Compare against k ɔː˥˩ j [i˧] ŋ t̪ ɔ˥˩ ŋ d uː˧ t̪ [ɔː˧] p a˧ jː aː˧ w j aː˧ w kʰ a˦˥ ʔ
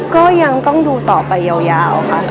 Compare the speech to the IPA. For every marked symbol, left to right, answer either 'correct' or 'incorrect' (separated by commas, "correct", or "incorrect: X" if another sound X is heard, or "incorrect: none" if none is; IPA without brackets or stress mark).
incorrect: a˧, incorrect: ɔː˨˩